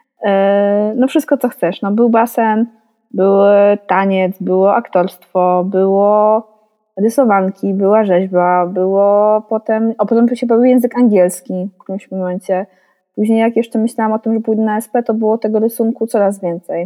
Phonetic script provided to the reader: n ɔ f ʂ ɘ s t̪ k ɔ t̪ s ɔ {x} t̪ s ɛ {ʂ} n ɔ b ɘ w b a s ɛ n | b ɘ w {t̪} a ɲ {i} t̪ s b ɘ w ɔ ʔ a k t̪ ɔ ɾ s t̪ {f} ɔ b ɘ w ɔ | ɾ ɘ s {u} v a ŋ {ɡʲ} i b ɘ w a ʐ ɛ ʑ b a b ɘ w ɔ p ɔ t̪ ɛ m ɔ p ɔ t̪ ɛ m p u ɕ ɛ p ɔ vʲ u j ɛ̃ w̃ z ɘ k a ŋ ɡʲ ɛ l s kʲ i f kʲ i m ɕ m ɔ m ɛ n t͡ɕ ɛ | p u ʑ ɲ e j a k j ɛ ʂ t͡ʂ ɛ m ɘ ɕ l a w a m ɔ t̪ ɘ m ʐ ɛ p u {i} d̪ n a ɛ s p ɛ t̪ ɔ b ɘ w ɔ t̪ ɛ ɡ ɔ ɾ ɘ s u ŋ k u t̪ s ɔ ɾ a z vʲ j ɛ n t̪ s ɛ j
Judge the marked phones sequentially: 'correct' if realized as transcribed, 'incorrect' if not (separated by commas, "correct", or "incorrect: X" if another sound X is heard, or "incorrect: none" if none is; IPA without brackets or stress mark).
correct, correct, correct, incorrect: ɛ, correct, incorrect: ɔ, incorrect: kʲ, incorrect: j